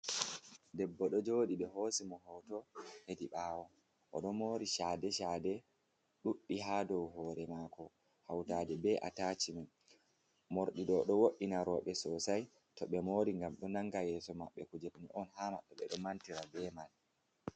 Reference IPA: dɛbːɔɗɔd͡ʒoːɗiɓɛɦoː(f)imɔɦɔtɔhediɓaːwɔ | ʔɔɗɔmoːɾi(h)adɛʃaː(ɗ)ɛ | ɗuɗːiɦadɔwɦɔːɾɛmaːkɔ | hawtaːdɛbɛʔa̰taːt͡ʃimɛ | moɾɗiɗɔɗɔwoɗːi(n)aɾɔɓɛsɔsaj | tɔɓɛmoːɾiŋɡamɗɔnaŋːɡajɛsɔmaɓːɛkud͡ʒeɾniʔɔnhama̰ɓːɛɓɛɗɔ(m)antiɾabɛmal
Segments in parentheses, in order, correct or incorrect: incorrect: s, incorrect: ʃ, incorrect: d, correct, correct

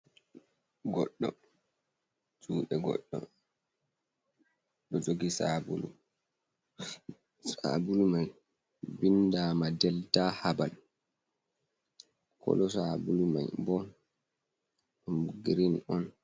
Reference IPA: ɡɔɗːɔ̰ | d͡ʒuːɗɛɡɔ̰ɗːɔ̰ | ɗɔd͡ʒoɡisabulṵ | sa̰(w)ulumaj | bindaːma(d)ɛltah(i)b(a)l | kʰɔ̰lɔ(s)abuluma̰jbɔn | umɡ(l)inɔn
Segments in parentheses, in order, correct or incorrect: incorrect: b, correct, incorrect: a, correct, correct, incorrect: ɾ

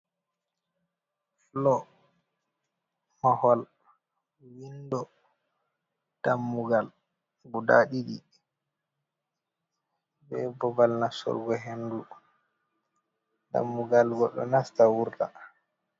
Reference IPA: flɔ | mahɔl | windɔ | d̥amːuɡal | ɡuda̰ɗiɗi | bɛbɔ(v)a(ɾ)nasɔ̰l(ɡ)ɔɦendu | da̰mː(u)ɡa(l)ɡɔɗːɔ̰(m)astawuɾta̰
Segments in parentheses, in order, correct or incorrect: incorrect: b, incorrect: l, correct, correct, correct, incorrect: n

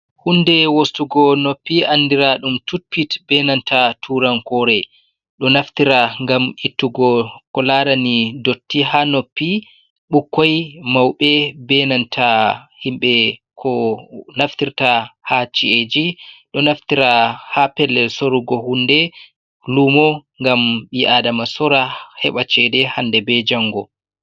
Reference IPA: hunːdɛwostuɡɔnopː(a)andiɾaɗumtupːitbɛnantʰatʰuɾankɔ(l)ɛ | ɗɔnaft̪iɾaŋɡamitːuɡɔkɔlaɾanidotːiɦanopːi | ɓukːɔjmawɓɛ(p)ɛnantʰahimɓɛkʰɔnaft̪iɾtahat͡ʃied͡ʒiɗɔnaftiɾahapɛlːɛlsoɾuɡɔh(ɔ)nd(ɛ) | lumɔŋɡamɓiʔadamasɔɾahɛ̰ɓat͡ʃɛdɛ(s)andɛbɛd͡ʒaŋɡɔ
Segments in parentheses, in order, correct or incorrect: incorrect: i, incorrect: ɾ, incorrect: b, incorrect: u, correct, incorrect: h

